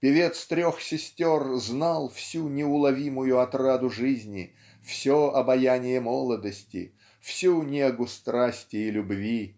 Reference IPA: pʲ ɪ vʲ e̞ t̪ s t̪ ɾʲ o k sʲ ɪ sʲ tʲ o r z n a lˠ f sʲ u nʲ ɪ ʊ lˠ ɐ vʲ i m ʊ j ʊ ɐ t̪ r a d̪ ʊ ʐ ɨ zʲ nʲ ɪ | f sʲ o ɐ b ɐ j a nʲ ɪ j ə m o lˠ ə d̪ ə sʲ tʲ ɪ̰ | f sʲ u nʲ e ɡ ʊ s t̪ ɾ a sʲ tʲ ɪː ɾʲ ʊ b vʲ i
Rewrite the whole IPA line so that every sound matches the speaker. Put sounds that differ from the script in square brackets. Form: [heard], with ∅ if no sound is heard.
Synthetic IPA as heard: pʲ ɪ vʲ e̞ t̪ s t̪ ɾʲ o [x] sʲ ɪ sʲ tʲ o r z n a lˠ f sʲ u nʲ ɪ ʊ lˠ ɐ vʲ i m ʊ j ʊ ɐ t̪ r a d̪ ʊ ʐ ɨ zʲ nʲ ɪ | f sʲ o ɐ b ɐ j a nʲ ɪ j ə m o lˠ ə d̪ ə sʲ tʲ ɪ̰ | f sʲ u nʲ e ɡ ʊ s t̪ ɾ a sʲ tʲ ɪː [lʲ] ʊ b vʲ i